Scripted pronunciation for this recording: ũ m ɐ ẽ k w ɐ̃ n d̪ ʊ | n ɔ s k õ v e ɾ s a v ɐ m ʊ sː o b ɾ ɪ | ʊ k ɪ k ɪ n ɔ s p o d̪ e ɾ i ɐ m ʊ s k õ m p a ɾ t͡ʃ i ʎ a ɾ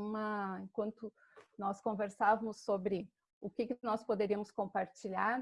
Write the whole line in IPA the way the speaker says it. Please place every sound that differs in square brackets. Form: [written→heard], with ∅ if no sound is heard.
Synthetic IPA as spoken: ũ m ɐ ẽ k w ɐ̃ n [d̪→t̪] ʊ | n ɔ s k õ v e ɾ s a v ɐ m ʊ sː o b ɾ ɪ | ʊ k ɪ k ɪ n ɔ s p o d̪ e ɾ i ɐ m ʊ s k õ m p a ɾ t͡ʃ i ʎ a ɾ